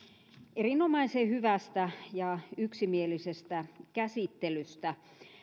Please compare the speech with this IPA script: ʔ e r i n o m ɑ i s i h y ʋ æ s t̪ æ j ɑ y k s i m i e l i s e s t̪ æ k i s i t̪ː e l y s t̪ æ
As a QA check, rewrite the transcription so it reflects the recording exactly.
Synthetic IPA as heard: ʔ e r i n o m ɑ i s e h y ʋ æ s t̪ æ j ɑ y k s i m i e l i s e s t̪ æ k æ s i t̪ː e l y s t̪ æ